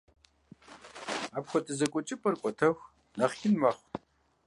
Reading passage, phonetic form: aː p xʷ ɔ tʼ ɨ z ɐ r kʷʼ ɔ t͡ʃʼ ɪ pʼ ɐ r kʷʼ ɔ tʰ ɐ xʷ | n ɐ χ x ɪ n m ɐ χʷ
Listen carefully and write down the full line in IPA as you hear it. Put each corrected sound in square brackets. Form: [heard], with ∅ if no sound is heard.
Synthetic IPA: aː p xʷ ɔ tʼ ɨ z ɐ [∅] kʷʼ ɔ t͡ʃʼ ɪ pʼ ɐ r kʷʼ ɔ tʰ ɐ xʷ | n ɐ χ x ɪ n m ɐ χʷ